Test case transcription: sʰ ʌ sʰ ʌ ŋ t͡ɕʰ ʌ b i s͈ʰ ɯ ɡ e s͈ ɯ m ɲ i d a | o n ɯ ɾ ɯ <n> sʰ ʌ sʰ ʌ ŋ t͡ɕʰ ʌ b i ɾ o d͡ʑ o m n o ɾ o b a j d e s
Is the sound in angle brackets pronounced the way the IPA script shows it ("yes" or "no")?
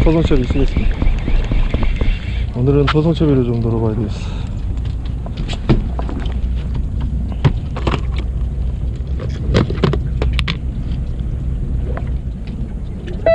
yes